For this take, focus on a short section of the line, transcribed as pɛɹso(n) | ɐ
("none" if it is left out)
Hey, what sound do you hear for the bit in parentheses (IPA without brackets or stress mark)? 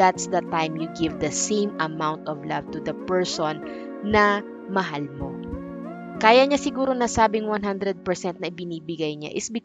nː